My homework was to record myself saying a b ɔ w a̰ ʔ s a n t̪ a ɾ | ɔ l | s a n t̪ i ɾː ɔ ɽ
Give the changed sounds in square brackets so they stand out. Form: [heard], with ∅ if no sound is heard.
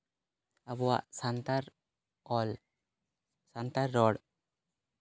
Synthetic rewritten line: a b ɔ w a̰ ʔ s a n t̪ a ɾ | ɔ l | s a n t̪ [a] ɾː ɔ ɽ